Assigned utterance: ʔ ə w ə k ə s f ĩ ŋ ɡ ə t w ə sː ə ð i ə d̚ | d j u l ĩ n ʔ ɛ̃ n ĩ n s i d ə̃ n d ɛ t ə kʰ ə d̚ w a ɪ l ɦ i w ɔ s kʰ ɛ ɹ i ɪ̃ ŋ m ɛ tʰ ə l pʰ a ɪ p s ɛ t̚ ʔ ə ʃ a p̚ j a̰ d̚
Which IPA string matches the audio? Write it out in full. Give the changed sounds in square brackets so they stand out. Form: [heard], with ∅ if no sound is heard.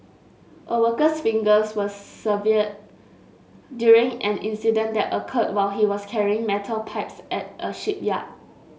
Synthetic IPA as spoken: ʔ ə w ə k ə s f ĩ ŋ ɡ ə [s] w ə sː ə [v] i ə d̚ | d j u [ɹ] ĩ [ŋ] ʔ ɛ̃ n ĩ n s i d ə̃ n d ɛ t ə kʰ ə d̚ w a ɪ l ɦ i w ɔ s kʰ ɛ ɹ i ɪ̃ ŋ m ɛ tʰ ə l pʰ a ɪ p s ɛ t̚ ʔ ə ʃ [i] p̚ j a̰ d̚